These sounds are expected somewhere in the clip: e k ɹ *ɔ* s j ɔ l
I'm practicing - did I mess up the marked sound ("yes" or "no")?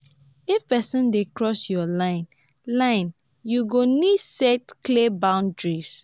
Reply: no